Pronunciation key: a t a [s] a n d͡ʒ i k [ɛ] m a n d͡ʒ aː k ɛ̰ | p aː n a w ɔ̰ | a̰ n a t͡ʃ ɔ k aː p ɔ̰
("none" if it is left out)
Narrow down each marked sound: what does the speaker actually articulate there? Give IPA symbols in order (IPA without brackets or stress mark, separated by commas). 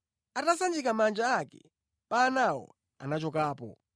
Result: s, a